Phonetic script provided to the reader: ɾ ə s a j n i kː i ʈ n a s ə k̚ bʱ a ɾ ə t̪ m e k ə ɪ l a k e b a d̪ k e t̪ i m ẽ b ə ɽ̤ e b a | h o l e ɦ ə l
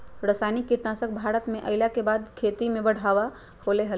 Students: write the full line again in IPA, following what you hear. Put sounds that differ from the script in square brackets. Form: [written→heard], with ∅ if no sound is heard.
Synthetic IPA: ɾ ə s a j n i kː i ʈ n a s ə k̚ bʱ a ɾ ə t̪ m e [k→ʔ] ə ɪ l a k e b a d̪ [k→kʰ] e t̪ i m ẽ b ə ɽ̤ [e→a] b a | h o l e ɦ ə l